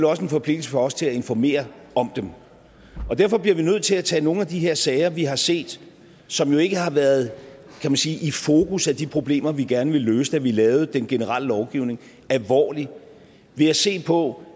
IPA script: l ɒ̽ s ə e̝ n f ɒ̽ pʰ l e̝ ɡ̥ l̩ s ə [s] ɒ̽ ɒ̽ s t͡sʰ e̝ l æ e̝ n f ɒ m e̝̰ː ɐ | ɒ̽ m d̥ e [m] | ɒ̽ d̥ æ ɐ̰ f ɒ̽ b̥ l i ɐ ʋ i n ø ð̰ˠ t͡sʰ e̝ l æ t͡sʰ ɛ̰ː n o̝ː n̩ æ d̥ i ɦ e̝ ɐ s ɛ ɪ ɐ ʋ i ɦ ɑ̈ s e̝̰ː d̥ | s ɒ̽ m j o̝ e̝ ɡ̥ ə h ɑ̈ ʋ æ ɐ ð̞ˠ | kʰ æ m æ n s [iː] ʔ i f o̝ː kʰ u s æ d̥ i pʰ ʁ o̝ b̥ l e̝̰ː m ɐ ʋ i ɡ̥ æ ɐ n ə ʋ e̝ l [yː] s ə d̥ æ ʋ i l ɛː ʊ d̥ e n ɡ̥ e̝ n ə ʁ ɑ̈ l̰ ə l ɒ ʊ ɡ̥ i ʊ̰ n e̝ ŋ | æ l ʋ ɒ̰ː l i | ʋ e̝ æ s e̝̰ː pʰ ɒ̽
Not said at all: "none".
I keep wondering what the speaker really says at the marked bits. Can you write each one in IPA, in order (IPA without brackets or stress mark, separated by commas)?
f, m, iː, øː